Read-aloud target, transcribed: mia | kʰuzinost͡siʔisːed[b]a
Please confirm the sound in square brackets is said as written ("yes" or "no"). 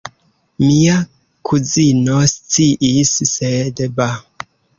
yes